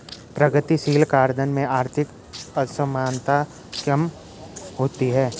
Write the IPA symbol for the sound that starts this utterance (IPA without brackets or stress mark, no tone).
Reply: p